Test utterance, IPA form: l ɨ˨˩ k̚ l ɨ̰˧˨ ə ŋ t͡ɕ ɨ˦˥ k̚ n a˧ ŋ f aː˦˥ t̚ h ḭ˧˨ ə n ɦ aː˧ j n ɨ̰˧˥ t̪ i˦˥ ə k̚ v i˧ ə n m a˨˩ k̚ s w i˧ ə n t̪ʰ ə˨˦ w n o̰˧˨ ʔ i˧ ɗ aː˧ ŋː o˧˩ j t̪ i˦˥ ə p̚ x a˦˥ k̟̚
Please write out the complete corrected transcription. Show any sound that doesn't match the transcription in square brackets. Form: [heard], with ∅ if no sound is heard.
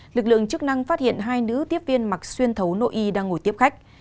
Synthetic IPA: l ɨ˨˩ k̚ l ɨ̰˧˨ ə ŋ t͡ɕ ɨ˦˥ k̚ n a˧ ŋ f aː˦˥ t̚ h ḭ˧˨ ə n ɦ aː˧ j n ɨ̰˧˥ t̪ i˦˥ ə [p̚] v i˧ ə n m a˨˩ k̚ s w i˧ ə n t̪ʰ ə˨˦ w n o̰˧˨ ʔ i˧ ɗ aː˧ ŋː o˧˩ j t̪ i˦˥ ə p̚ x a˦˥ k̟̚